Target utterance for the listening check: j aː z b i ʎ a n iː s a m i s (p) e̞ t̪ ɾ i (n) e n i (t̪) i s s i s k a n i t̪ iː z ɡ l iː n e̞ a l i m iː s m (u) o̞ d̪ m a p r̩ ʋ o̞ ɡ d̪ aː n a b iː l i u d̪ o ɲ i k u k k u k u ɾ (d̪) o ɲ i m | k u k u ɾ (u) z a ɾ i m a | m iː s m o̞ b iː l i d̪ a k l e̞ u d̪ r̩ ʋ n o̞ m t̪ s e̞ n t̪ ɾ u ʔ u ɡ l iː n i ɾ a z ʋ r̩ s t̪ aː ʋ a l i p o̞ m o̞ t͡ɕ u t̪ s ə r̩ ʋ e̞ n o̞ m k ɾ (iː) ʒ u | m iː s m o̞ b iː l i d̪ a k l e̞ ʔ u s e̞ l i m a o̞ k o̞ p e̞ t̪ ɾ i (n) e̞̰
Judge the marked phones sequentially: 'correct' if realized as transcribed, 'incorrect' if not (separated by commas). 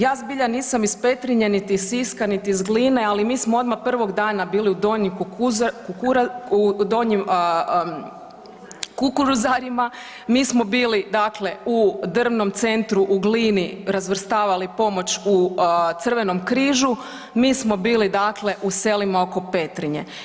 correct, incorrect, correct, incorrect, correct, correct, correct, incorrect